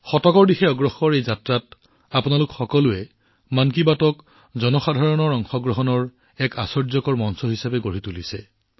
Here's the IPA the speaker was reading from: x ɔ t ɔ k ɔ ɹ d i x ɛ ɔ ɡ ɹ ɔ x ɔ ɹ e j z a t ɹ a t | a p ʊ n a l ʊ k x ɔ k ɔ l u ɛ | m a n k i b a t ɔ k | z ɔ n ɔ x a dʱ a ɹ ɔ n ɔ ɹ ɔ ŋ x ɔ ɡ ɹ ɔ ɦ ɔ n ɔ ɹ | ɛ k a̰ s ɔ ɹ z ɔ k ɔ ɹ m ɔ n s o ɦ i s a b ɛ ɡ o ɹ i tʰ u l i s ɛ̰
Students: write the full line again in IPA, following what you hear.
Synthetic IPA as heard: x ɔ t ɔ k ɔ ɹ d i x ɛ ɔ ɡ ɹ ɔ x ɔ ɹ e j z a t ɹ a t | a p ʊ n a l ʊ k x ɔ k ɔ l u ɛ | m a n k i b a t ɔ k | z ɔ n ɔ x a dʱ a ɹ ɔ n ɔ ɹ ɔ ŋ x ɔ ɡ ɹ ɔ ɦ ɔ n ɔ ɹ | ɛ k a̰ s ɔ ɹ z ɔ k ɔ ɹ m ɔ n s ɔ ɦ i s a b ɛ ɡ o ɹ i t u l i s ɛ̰